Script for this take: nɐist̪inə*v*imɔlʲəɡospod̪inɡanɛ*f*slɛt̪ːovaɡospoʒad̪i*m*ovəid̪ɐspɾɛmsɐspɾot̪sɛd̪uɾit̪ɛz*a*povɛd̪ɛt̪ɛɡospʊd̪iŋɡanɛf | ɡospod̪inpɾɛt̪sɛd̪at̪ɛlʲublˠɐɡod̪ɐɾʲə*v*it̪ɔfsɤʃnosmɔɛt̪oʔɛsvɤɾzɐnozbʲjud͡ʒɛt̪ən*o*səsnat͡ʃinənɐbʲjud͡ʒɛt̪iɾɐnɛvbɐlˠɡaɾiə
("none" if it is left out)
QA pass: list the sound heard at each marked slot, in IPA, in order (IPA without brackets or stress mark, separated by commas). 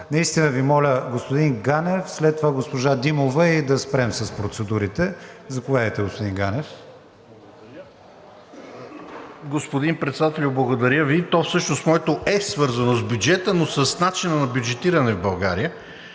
v, f, m, ɐ, v, o